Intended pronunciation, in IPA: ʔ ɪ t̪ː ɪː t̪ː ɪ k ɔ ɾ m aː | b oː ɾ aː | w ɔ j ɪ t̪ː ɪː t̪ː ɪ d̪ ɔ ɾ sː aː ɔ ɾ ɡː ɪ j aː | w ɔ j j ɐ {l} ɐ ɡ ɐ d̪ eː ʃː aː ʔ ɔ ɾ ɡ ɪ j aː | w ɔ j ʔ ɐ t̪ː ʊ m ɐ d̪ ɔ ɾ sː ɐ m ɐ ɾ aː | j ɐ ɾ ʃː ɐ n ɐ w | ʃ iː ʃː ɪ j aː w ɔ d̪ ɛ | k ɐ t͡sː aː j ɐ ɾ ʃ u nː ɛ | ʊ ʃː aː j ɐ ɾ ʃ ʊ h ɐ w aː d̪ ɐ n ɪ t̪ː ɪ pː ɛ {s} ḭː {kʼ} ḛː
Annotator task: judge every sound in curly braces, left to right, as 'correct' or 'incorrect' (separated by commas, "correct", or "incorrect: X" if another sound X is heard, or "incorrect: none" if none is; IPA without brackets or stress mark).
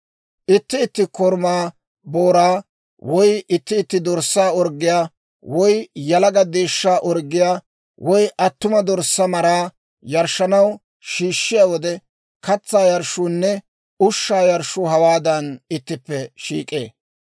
correct, incorrect: ʃ, correct